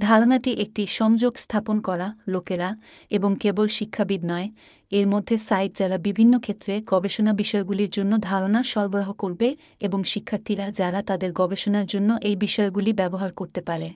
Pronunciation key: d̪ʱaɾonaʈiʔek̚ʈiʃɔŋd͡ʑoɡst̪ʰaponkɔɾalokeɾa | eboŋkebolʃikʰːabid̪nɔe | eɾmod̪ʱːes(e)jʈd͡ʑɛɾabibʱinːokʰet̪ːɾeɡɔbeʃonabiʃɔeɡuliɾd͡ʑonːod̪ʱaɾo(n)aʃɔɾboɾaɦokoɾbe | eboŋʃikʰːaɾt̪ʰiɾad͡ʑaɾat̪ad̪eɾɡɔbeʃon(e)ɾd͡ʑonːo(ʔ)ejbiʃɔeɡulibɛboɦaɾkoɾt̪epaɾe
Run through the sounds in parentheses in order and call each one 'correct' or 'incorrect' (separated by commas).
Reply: incorrect, correct, incorrect, correct